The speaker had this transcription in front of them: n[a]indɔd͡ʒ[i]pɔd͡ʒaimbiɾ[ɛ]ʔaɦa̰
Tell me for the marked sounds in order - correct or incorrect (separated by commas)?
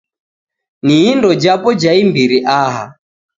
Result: incorrect, incorrect, incorrect